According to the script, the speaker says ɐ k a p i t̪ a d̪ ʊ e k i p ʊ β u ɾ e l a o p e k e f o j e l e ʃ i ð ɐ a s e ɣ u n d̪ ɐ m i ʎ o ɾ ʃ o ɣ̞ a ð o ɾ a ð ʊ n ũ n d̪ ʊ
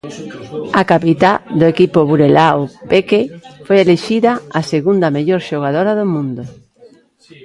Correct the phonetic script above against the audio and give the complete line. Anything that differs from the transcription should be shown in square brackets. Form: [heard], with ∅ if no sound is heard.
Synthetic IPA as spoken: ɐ k a p i t̪ a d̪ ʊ e k i p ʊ β u ɾ e l a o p e k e f o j e l e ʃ i ð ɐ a s e ɣ u n d̪ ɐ m [e] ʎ o ɾ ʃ o ɣ̞ a ð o ɾ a ð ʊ [m] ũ n d̪ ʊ